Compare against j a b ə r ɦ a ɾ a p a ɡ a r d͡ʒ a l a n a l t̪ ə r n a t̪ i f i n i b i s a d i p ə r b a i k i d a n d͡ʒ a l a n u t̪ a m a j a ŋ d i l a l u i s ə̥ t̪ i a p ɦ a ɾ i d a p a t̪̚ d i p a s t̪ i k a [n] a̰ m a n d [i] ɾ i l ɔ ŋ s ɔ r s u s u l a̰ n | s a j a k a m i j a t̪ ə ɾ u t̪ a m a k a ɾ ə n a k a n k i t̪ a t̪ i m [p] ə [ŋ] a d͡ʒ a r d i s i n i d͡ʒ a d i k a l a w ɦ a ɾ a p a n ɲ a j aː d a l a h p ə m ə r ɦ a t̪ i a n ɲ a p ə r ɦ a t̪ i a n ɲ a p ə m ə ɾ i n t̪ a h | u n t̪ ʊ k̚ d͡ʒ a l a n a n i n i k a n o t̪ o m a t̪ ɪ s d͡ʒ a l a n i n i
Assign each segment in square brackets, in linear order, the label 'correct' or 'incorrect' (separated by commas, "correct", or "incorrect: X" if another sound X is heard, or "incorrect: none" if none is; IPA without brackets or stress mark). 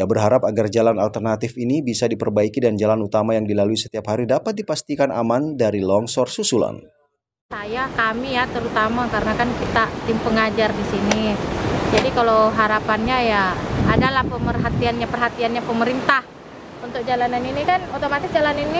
correct, incorrect: a, correct, correct